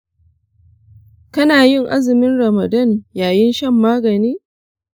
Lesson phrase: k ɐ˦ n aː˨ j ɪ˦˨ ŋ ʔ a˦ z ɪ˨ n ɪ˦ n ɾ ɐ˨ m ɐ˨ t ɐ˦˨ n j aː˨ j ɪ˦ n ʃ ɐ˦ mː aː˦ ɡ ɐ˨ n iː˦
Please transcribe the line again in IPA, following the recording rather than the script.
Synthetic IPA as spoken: k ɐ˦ n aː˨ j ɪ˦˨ ŋ ʔ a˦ z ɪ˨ m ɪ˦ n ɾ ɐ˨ m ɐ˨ d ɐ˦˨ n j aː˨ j ɪ˦ n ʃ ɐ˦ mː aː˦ ɡ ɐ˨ n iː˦

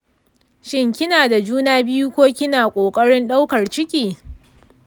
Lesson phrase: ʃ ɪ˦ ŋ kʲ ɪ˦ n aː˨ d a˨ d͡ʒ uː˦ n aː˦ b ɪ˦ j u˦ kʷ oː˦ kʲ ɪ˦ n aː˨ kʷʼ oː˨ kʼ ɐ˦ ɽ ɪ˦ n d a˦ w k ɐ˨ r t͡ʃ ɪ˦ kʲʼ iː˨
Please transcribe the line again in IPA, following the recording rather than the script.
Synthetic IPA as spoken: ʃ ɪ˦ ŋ kʲ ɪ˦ n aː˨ d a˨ d͡ʒ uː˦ n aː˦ b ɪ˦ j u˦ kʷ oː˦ kʲ ɪ˦ n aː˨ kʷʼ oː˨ kʼ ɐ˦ ɽ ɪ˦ n ɗ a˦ w k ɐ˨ r t͡ʃ ɪ˦ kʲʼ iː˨

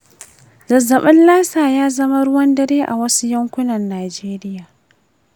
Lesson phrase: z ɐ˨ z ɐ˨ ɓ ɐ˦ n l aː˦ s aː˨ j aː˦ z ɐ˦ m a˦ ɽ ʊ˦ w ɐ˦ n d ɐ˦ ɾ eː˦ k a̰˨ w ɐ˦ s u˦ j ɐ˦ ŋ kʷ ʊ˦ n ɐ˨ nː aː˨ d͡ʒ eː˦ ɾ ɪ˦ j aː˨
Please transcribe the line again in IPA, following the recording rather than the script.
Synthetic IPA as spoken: z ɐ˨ z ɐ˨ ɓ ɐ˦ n l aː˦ s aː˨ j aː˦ z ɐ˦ m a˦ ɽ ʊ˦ w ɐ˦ n d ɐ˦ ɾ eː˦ ʔ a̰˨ w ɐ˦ s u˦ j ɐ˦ ŋ kʷ ʊ˦ n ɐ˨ nː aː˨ d͡ʒ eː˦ ɾ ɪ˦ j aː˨

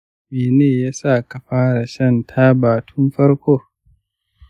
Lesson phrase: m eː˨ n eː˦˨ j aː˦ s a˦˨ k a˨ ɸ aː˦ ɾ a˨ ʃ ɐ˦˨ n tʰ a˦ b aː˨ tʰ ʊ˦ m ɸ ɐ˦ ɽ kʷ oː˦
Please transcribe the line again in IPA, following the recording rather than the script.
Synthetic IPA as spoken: m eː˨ n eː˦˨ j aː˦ s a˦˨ k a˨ ɸ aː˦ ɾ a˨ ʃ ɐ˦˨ n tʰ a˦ b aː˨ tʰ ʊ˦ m ɸ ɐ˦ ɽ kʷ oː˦

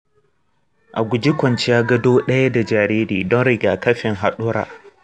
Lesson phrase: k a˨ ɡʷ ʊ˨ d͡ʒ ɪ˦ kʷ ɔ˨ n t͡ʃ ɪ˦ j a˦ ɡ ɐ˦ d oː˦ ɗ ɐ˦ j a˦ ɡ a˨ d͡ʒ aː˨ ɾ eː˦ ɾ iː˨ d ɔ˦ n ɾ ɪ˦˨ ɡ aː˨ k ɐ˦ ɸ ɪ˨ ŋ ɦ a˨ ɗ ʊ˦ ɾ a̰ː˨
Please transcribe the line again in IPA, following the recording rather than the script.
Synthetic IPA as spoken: ʔ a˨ ɡʷ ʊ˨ d͡ʒ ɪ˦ kʷ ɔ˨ n t͡ʃ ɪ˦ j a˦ ɡ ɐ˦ d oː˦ ɗ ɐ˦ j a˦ d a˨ d͡ʒ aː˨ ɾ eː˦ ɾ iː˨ d ɔ˦ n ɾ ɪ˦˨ ɡ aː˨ k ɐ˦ ɸ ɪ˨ ŋ ɦ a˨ ɗ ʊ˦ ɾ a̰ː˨

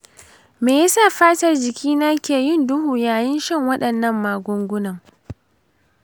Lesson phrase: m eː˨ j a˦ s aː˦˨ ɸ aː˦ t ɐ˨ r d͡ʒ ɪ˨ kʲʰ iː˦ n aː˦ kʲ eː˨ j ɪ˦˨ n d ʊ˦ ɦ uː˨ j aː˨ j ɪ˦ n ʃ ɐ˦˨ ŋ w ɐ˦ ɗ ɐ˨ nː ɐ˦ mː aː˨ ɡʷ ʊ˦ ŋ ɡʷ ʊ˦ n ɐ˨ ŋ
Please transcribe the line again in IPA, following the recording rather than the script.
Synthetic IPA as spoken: m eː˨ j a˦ s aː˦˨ ɸ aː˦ t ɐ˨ r d͡ʒ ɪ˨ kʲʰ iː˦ n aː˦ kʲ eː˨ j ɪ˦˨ n d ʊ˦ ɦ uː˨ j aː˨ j ɪ˦ n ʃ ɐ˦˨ ŋ w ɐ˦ ɗ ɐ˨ nː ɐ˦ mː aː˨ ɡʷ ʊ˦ ŋ ɡʷ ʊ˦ n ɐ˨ ŋ

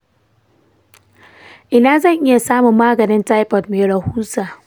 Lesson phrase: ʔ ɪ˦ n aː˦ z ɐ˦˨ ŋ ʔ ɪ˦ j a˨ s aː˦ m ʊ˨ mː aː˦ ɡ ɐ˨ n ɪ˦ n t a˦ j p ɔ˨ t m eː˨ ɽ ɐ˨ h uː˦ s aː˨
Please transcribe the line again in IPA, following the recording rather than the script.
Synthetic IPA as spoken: ʔ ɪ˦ n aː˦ z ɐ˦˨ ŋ ʔ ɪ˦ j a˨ s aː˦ m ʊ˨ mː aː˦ ɡ ɐ˨ n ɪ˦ n t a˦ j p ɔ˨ t m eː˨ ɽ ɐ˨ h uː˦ s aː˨

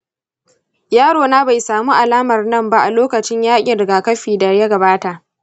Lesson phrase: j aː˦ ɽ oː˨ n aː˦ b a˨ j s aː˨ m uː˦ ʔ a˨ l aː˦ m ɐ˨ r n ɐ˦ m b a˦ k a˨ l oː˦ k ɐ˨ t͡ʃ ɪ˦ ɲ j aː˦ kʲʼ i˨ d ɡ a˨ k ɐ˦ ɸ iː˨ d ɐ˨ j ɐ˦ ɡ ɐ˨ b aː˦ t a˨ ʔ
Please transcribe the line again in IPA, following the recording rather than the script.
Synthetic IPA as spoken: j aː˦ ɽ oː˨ n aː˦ b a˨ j s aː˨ m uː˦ ʔ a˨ l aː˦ m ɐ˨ r n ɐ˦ m b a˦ ʔ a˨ l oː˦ k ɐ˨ t͡ʃ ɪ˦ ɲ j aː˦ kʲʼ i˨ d ɡ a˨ k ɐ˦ ɸ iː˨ d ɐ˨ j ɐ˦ ɡ ɐ˨ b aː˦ t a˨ ʔ

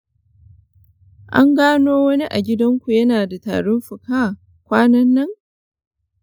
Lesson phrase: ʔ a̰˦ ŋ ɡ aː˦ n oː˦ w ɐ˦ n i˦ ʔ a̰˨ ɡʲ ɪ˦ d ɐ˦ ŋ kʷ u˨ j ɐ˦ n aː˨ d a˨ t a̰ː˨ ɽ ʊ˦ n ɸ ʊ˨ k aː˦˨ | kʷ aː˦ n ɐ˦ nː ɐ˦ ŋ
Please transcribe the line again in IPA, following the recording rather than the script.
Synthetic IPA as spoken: ʔ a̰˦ ŋ ɡ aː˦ n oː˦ w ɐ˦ n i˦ ʔ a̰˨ ɡʲ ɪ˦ d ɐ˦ ŋ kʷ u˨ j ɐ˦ n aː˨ d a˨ t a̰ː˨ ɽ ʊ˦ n ɸ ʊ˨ k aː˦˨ | kʷ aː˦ n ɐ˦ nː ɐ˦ ŋ

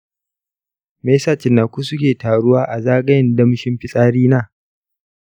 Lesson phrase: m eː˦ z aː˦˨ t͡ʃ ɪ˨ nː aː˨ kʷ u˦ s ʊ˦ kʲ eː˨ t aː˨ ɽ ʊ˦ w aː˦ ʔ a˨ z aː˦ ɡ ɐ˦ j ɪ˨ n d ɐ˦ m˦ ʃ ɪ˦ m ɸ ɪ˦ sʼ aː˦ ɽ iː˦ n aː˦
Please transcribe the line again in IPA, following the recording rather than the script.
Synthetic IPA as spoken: m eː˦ s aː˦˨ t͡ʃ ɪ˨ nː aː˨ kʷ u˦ s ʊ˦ kʲ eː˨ t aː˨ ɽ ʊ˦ w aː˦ ʔ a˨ z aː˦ ɡ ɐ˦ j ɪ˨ n d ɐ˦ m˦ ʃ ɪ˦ m ɸ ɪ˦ sʼ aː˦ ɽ iː˦ n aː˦

